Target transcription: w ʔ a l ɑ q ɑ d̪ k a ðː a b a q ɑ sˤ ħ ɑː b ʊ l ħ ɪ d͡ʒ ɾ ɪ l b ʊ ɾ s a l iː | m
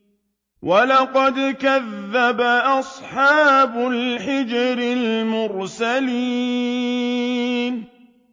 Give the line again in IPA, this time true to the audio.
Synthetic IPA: w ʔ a l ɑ q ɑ d̪ k a ðː a b a ʔ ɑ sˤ ħ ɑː b ʊ l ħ ɪ d͡ʒ ɾ ɪ l m ʊ ɾ s a l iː | n